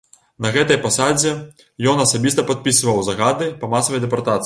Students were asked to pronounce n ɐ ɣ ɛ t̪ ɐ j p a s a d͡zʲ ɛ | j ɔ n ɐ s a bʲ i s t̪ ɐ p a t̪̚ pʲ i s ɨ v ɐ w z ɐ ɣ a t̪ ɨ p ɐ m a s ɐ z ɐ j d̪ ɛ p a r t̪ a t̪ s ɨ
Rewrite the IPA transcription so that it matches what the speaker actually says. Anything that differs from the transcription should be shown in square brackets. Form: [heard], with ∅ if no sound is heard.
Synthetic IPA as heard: n ɐ ɣ ɛ t̪ ɐ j p a s a d͡zʲ ɛ | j ɔ n ɐ s a bʲ i s t̪ ɐ p a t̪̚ pʲ i s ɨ v ɐ w z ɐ ɣ a [d̪] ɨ p ɐ m a s ɐ [v] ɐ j d̪ ɛ p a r t̪ a t̪ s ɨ